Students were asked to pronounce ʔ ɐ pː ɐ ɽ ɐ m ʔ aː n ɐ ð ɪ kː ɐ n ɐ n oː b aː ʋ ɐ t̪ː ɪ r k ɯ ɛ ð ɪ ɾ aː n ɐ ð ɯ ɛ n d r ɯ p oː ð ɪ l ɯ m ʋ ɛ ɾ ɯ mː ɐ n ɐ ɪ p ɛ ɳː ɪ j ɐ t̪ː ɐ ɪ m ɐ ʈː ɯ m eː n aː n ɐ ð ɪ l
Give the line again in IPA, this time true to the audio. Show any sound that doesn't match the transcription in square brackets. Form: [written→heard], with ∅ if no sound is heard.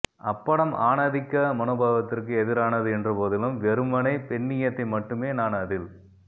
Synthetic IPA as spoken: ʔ ɐ pː ɐ ɽ ɐ m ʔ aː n ɐ ð ɪ kː ɐ [n→m] ɐ n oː b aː ʋ ɐ t̪ː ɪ r k ɯ ɛ ð ɪ ɾ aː n ɐ ð ɯ ɛ n d r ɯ p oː ð ɪ l ɯ m ʋ ɛ ɾ ɯ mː ɐ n ɐ ɪ p ɛ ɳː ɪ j ɐ t̪ː ɐ ɪ m ɐ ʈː ɯ m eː n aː n ɐ ð ɪ l